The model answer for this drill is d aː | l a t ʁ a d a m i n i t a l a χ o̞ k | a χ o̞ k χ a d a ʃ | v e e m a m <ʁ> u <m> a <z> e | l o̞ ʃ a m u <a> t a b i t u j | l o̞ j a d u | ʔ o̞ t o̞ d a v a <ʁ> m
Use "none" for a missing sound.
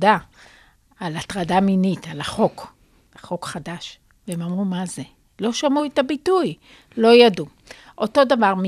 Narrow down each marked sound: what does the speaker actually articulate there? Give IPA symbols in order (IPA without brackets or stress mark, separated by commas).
ʁ, m, z, e, ʁ